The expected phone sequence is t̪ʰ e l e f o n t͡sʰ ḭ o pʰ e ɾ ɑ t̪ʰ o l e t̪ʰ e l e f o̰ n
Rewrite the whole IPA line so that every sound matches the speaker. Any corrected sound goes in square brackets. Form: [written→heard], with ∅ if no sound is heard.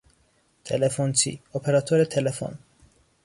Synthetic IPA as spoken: t̪ʰ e l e f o n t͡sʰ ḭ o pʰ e ɾ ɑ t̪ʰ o [l→ɾ] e t̪ʰ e l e f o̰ n